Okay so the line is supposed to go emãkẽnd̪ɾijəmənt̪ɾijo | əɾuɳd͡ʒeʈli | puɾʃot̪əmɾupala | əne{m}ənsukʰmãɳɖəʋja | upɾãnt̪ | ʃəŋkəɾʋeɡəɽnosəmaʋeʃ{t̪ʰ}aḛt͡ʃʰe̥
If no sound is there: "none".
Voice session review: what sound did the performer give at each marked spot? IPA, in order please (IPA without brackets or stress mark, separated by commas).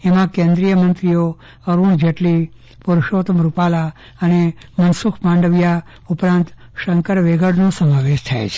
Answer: m, t̪ʰ